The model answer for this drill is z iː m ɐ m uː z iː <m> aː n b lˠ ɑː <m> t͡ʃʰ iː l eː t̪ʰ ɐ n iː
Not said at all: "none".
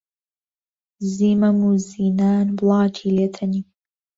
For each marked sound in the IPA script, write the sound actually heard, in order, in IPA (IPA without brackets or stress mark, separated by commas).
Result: n, none